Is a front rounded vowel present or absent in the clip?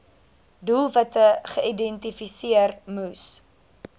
absent